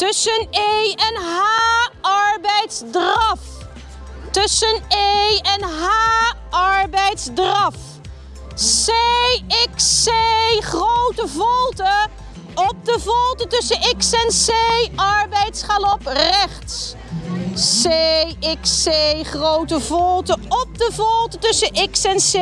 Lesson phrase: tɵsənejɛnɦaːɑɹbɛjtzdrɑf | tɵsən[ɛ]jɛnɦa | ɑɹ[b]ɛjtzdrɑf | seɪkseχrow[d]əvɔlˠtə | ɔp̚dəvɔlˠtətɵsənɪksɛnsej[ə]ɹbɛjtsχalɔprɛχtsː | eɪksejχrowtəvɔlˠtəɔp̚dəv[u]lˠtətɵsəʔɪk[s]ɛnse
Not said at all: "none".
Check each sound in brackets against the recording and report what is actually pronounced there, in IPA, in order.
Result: e, b, t, ɑ, ɔ, s

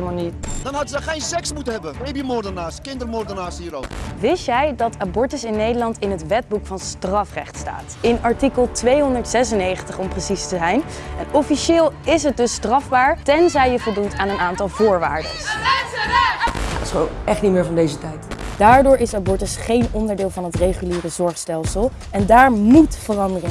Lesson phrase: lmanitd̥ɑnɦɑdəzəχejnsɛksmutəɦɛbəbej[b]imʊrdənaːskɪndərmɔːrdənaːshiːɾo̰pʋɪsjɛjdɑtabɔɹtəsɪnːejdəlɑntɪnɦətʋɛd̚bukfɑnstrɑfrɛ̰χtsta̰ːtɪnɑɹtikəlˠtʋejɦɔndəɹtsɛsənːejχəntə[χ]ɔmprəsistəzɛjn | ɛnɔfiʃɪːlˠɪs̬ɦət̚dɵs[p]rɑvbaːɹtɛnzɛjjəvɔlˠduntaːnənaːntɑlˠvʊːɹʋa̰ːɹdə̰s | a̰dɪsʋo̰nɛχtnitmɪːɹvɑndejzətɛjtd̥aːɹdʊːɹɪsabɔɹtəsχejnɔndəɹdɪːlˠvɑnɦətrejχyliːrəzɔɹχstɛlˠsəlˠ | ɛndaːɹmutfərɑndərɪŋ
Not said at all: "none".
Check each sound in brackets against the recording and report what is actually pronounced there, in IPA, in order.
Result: b, χ, t

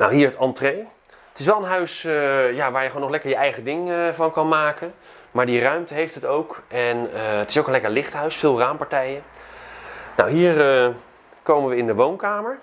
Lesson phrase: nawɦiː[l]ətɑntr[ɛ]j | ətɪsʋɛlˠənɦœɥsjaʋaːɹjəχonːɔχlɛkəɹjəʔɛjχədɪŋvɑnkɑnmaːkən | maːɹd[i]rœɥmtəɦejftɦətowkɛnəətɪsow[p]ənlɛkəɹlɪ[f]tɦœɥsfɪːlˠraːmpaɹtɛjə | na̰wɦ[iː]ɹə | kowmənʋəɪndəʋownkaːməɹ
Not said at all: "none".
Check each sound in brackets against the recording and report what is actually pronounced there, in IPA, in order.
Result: ɹ, e, i, k, χ, iː

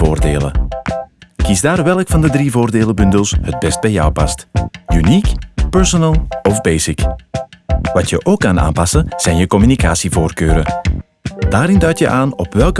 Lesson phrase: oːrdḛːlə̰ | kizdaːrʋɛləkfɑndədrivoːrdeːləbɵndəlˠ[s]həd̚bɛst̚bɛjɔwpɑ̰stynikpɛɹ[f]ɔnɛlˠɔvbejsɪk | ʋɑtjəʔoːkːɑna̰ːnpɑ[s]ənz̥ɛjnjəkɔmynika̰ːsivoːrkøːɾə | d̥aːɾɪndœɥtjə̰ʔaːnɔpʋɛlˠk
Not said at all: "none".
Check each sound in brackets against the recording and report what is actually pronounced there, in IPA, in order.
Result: s, s, s

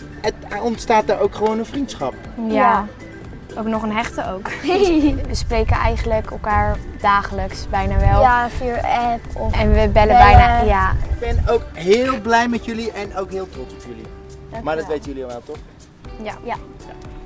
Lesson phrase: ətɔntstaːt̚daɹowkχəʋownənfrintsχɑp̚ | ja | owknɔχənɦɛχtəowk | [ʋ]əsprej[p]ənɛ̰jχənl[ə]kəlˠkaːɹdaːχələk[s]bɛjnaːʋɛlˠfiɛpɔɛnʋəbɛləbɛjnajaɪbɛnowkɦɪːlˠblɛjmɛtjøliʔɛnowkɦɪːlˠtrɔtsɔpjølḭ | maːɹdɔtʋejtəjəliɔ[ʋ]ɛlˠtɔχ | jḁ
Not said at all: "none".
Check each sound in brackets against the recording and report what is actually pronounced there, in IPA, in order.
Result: ʋ, k, ə, s, ʋ

